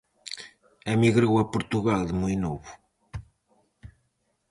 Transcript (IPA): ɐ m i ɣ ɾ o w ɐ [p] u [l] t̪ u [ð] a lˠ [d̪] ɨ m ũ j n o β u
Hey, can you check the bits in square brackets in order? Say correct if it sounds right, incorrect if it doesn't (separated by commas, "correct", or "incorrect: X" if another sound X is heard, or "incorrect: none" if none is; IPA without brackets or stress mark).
correct, incorrect: ɾ, incorrect: ɣ, correct